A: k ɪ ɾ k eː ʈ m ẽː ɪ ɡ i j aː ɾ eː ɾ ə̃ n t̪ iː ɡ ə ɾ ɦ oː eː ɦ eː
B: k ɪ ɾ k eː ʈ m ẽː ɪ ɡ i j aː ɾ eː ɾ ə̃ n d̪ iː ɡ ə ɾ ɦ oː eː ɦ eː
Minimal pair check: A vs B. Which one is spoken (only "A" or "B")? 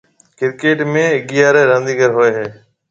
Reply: B